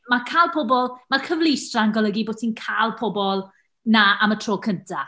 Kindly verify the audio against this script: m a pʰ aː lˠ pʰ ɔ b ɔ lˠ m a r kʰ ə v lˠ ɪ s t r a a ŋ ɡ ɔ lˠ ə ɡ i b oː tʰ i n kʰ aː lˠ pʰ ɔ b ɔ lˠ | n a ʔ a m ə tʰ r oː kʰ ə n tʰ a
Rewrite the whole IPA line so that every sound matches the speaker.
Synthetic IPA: m a kʰ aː lˠ pʰ ɔ b ɔ lˠ m a r kʰ ə v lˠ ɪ s t r a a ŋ ɡ ɔ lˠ ə ɡ i b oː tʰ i n kʰ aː lˠ pʰ ɔ b ɔ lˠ | n a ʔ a m ə tʰ r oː kʰ ə n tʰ a

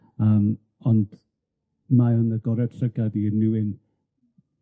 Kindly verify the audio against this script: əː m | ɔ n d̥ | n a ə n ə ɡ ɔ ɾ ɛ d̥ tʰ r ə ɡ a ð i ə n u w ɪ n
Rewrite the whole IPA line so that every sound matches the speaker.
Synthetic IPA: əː m | ɔ n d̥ | m a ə n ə ɡ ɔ ɾ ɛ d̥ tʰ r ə ɡ a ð i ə n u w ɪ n

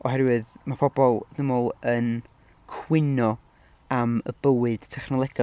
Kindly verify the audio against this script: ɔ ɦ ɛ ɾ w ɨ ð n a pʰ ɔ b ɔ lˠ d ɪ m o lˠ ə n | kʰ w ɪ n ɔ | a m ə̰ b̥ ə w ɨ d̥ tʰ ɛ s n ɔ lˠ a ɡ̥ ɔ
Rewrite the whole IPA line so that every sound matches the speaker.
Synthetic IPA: ɔ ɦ ɛ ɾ w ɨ ð m a pʰ ɔ b ɔ lˠ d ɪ m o lˠ ə n | kʰ w ɪ n ɔ | a m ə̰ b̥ ə w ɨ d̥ tʰ ɛ χ n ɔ lˠ ɛ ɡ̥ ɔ

